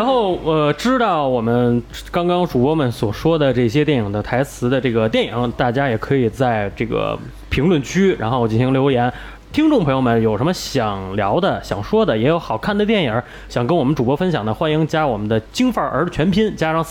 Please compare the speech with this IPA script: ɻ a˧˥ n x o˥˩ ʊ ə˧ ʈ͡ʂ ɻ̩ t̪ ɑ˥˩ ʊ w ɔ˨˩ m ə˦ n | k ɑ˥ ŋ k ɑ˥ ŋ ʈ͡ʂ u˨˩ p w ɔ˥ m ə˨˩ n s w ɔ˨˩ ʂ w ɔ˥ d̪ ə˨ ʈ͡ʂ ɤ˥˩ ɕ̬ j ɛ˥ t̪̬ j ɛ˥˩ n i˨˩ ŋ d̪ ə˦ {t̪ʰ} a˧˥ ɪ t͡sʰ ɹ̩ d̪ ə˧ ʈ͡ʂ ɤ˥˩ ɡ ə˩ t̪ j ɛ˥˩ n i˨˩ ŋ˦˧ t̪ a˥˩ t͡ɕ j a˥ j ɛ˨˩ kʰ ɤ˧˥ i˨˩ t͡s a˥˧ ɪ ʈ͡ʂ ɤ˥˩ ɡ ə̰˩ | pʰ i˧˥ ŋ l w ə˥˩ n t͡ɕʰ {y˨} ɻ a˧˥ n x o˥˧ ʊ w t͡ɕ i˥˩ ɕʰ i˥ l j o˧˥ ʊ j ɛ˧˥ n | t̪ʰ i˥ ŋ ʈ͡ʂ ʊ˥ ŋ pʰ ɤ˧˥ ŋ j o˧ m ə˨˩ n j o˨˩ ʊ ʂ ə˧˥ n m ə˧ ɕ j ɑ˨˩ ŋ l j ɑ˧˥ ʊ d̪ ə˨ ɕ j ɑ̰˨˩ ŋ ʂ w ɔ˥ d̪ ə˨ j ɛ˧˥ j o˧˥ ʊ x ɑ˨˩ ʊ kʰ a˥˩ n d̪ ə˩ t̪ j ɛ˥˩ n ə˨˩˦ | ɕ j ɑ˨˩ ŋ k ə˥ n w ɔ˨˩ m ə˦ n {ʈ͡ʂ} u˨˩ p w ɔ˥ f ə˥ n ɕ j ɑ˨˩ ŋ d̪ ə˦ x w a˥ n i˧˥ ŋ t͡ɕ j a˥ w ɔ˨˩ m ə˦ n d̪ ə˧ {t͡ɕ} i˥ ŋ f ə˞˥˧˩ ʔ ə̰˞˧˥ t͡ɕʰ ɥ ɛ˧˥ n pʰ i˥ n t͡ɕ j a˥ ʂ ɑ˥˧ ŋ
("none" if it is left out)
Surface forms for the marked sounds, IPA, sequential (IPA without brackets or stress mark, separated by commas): t̪ʰ, y˥, ʈ͡ʂ, t͡ɕ